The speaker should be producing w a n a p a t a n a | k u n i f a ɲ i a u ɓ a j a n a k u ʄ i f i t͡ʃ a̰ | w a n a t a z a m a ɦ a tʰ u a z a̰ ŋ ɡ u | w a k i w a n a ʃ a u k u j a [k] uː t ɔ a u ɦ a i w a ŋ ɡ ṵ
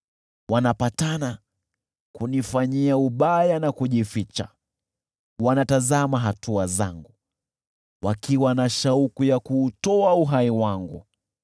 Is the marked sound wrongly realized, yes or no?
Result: no